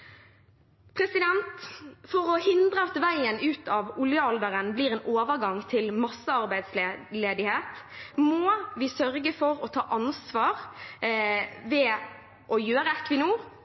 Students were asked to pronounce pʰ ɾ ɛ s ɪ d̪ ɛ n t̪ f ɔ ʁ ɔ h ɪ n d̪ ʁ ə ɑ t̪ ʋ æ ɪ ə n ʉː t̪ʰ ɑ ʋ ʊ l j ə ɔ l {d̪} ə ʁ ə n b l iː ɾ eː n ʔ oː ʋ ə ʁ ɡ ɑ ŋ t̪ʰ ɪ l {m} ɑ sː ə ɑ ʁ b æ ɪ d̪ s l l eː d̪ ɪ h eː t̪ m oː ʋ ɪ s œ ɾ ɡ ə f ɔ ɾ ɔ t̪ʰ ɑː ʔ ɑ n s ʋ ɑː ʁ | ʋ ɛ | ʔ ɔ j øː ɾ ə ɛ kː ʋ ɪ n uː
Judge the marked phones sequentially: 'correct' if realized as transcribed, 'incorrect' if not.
correct, correct

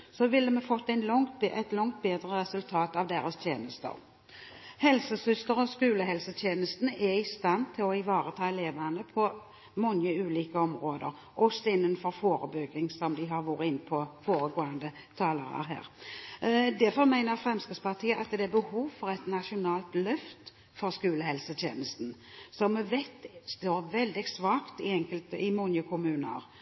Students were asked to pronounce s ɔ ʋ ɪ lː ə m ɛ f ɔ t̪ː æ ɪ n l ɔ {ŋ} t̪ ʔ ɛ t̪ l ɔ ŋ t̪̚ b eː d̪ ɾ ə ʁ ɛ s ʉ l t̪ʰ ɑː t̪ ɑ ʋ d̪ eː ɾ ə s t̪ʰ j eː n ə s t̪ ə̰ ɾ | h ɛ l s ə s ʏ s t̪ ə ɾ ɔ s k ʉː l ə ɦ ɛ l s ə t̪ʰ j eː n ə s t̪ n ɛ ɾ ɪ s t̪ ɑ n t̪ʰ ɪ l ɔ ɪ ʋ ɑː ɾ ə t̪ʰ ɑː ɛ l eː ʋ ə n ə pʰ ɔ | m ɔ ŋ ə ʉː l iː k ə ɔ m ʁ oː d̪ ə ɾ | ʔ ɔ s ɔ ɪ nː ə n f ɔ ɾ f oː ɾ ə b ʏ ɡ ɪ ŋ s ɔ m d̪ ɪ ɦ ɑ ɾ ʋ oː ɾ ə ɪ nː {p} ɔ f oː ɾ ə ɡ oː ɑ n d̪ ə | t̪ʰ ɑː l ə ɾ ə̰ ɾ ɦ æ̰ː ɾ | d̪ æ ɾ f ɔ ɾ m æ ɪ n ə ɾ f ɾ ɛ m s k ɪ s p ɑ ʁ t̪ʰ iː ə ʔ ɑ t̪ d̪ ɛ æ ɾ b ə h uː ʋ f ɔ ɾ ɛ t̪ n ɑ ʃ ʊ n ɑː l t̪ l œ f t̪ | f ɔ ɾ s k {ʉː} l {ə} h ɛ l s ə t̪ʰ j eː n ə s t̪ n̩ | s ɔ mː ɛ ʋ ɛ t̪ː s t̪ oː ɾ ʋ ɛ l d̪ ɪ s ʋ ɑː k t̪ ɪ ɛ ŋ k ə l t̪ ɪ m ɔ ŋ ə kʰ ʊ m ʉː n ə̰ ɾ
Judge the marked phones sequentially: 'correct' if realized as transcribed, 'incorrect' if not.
correct, incorrect: pʰ, correct, correct

